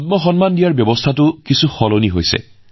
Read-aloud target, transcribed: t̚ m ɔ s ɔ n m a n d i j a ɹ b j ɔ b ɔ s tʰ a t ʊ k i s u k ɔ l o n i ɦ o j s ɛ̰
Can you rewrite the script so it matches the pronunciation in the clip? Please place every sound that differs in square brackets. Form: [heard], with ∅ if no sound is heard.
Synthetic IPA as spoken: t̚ m ɔ [x] ɔ n m a n d i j a ɹ b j ɔ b ɔ s tʰ a t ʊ k i s u [x] ɔ l o n i ɦ o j s ɛ̰